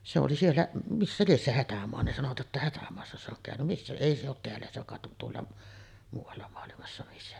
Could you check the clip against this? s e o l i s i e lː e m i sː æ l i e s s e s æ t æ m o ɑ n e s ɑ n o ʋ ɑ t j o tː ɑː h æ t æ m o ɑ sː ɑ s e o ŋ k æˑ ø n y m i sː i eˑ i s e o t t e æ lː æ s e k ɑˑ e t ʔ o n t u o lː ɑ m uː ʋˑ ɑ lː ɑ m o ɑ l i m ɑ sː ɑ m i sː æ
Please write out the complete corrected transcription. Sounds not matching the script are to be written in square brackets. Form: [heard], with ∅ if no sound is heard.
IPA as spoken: s e o l i s i e lː [æ] m i sː æ l i e s s e [h] æ t æ m o ɑ n e s ɑ n o ʋ ɑ t j o tː [ɑ] h æ t æ m o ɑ sː ɑ s e o ŋ k æˑ ø n y m i sː [æ] eˑ i s e o t t e æ lː æ s e k ɑˑ e t ʔ o n t u o lː ɑ m uː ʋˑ ɑ lː ɑ m o ɑ l i m ɑ sː ɑ m i sː æ